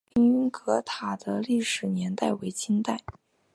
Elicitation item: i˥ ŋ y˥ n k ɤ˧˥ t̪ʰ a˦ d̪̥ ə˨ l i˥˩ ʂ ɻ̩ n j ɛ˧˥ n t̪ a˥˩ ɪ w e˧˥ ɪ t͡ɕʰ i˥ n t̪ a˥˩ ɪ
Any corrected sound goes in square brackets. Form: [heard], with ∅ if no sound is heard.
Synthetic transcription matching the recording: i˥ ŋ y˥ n k ɤ˧˥ t̪ʰ [a˨˩] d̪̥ [ə˦] l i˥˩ ʂ ɻ̩ n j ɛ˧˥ n t̪ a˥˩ ɪ w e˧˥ ɪ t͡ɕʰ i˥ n t̪ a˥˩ ɪ

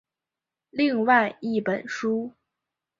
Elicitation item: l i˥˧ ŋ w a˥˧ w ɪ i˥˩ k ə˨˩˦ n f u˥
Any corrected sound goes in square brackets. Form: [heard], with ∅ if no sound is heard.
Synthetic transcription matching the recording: l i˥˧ ŋ w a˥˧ [∅] ɪ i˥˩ [p] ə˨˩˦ n [ʂ] u˥

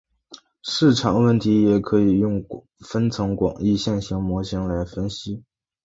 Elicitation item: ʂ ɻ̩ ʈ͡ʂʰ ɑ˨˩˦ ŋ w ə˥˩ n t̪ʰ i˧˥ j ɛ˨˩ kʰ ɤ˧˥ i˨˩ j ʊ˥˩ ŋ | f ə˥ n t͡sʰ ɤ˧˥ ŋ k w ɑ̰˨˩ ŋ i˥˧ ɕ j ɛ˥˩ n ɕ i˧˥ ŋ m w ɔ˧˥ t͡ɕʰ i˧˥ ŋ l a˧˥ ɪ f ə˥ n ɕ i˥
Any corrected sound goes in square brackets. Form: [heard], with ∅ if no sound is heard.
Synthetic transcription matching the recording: ʂ ɻ̩ ʈ͡ʂʰ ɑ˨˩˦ ŋ w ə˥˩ n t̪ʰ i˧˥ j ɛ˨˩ kʰ ɤ˧˥ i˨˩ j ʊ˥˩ ŋ | f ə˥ n t͡sʰ ɤ˧˥ ŋ k w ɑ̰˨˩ ŋ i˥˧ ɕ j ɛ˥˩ n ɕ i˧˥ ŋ m w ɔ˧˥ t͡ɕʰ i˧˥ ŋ l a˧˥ ɪ f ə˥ n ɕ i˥

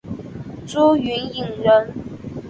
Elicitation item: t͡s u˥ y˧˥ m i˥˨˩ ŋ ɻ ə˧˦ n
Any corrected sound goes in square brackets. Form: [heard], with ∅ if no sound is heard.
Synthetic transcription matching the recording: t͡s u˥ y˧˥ [n] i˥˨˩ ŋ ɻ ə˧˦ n

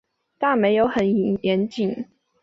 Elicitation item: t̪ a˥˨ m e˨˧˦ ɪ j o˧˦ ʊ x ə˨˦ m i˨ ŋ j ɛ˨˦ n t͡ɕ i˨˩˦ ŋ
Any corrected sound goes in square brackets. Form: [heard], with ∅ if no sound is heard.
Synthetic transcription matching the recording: t̪ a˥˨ m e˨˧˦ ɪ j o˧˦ ʊ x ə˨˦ [n] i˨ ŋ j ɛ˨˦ n t͡ɕ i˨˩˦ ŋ

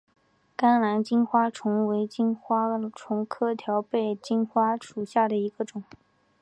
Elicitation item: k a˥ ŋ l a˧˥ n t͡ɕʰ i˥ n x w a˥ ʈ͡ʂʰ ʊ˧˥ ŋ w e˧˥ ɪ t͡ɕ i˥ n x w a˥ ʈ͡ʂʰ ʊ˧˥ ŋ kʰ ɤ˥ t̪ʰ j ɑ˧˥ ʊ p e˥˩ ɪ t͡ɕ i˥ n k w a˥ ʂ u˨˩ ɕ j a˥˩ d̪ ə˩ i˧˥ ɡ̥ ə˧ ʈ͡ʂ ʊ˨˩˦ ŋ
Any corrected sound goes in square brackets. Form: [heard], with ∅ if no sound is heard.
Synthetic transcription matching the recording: k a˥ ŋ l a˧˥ n [t͡ɕ] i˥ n x w a˥ ʈ͡ʂʰ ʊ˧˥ ŋ w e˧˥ ɪ t͡ɕ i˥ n x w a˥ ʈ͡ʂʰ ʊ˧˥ ŋ kʰ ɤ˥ t̪ʰ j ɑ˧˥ ʊ p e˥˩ ɪ t͡ɕ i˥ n [x] w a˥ ʂ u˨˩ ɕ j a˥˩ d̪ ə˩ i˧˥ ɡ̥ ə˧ ʈ͡ʂ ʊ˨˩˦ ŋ

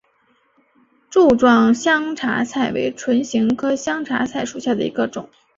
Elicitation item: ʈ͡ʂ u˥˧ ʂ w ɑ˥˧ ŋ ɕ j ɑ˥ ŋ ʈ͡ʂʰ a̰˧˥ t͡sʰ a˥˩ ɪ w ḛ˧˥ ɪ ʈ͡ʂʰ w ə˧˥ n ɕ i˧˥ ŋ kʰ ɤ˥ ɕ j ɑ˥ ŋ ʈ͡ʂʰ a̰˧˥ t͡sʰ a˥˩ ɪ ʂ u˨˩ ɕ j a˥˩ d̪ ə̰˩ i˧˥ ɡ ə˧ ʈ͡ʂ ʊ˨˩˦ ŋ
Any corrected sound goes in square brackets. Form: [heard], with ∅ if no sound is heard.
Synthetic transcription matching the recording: ʈ͡ʂ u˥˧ [ʈ͡ʂ] w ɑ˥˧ ŋ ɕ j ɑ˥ ŋ ʈ͡ʂʰ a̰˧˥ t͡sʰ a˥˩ ɪ w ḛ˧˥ ɪ ʈ͡ʂʰ w ə˧˥ n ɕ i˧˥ ŋ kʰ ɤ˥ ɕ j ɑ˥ ŋ ʈ͡ʂʰ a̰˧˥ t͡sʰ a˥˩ ɪ ʂ u˨˩ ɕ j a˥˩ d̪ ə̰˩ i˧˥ ɡ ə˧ ʈ͡ʂ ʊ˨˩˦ ŋ

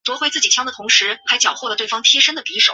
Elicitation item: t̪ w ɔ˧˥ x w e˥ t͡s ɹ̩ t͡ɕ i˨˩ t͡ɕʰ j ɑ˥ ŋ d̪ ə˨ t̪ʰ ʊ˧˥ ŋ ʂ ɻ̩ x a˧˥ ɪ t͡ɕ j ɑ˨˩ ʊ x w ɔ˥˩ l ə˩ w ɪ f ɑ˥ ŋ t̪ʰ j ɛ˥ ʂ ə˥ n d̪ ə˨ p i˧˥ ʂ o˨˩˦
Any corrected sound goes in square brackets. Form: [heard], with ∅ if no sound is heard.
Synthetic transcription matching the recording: t̪ w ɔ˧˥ x w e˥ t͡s ɹ̩ t͡ɕ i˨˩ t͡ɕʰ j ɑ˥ ŋ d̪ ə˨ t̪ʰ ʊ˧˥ ŋ ʂ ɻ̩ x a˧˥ ɪ t͡ɕ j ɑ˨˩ ʊ x w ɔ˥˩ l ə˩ w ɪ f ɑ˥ ŋ t̪ʰ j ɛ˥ ʂ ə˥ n d̪ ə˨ p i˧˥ ʂ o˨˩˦

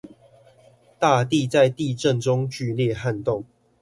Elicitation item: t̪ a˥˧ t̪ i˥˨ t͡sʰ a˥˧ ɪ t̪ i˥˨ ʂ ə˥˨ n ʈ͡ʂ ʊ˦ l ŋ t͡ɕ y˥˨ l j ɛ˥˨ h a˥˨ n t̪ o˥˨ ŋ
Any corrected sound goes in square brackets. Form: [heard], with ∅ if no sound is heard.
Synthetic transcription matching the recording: t̪ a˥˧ t̪ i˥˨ [t͡s] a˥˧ ɪ t̪ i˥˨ [ʈ͡ʂ] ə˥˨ n ʈ͡ʂ ʊ˦ [∅] ŋ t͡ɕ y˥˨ l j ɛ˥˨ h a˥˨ n t̪ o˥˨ ŋ

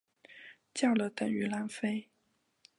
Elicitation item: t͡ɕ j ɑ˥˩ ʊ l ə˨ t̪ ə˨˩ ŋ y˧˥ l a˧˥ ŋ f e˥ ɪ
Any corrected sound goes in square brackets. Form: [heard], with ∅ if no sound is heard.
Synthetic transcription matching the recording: t͡ɕ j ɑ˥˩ ʊ l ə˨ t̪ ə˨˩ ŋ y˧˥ l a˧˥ [n] f e˥ ɪ

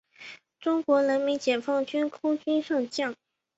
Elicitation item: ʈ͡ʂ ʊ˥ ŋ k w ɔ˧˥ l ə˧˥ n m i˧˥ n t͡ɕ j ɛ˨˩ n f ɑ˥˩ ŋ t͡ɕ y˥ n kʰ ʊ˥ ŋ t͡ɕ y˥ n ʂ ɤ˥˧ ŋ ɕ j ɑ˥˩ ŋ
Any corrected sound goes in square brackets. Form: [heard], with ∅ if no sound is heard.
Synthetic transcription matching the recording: ʈ͡ʂ ʊ˥ ŋ k w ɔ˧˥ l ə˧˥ n m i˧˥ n t͡ɕ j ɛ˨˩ n f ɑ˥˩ ŋ t͡ɕ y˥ n kʰ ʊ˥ ŋ t͡ɕ y˥ n ʂ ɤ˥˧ ŋ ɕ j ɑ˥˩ ŋ

